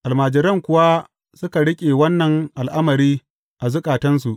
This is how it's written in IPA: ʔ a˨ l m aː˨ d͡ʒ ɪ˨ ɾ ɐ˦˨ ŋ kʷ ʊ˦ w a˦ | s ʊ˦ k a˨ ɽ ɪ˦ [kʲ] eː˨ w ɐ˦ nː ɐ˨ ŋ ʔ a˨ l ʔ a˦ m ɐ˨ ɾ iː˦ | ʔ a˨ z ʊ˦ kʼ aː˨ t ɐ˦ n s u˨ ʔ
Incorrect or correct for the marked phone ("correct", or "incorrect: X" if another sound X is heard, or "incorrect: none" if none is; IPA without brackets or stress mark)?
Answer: incorrect: kʲʼ